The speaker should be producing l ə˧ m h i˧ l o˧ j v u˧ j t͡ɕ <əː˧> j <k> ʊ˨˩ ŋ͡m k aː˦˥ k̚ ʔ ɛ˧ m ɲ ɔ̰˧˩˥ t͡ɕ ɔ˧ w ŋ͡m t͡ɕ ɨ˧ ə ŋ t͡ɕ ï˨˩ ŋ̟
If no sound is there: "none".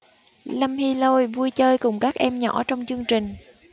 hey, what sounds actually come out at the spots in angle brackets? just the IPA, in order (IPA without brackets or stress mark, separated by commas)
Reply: əː˧, k